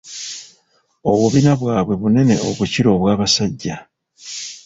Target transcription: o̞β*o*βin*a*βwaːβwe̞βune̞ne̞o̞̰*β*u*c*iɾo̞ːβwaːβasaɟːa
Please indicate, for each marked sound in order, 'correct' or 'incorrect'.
incorrect, correct, correct, correct

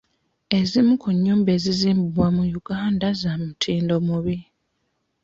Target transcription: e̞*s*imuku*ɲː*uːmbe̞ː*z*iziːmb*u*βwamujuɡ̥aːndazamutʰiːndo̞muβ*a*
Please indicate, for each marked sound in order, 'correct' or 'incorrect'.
incorrect, correct, correct, correct, incorrect

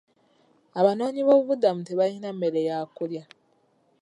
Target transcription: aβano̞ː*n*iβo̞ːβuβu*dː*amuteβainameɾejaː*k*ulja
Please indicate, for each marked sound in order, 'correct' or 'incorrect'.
incorrect, incorrect, correct

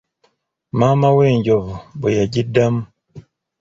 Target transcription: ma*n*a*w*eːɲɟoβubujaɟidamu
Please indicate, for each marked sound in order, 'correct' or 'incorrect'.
incorrect, correct

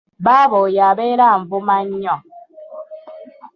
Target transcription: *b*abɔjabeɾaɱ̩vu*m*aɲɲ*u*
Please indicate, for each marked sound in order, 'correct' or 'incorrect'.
correct, correct, incorrect

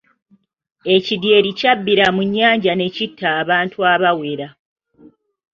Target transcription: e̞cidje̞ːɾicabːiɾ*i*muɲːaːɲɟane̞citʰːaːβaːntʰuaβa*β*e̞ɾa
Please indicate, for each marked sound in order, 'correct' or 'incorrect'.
incorrect, incorrect

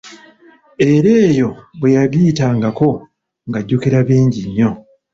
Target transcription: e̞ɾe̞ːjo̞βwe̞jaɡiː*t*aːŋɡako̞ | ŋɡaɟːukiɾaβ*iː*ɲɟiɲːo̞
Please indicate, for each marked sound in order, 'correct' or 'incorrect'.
correct, correct

